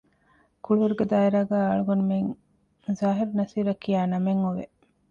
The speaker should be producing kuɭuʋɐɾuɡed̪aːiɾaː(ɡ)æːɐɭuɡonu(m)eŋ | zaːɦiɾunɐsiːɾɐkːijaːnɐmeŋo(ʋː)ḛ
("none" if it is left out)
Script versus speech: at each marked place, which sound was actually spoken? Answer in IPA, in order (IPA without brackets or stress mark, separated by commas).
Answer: ɡ, m, ʋ